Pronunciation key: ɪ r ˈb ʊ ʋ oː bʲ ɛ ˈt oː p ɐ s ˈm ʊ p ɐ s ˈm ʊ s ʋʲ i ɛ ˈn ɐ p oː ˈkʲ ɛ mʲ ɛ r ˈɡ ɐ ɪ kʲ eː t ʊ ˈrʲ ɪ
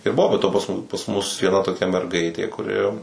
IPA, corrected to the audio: ɪ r ˈb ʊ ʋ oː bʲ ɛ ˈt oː p ɐ s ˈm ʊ p ɐ s ˈm ʊ s ʋʲ i ɛ ˈn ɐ t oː ˈkʲ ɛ mʲ ɛ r ˈɡ ɐ ɪ tʲ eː k ʊ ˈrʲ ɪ